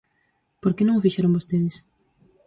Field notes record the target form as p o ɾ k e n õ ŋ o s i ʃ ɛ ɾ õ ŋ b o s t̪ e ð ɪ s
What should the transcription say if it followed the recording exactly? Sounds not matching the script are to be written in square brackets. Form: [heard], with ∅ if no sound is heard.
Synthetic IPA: p o ɾ k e n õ ŋ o [f] i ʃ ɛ ɾ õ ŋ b o s t̪ e ð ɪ s